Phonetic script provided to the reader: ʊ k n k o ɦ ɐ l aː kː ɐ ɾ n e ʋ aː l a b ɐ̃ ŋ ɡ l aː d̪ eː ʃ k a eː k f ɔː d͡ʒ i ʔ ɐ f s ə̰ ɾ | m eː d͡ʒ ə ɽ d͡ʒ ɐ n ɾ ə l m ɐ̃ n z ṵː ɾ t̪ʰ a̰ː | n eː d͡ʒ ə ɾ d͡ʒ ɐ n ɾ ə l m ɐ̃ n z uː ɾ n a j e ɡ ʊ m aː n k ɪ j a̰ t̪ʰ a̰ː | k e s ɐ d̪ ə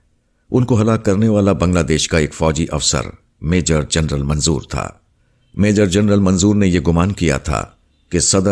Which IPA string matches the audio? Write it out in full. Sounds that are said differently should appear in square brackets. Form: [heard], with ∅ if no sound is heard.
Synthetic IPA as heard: ʊ [∅] n k o ɦ ɐ l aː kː ɐ ɾ n e ʋ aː l a b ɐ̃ ŋ ɡ l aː d̪ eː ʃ k a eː k f ɔː d͡ʒ i ʔ ɐ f s ə̰ ɾ | m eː d͡ʒ ə [ɾ] d͡ʒ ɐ n ɾ ə l m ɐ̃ n z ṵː ɾ t̪ʰ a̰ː | [m] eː d͡ʒ ə ɾ d͡ʒ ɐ n ɾ ə l m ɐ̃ n z uː ɾ n [e] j e ɡ ʊ m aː n k [i] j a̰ t̪ʰ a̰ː | k e s ɐ d̪ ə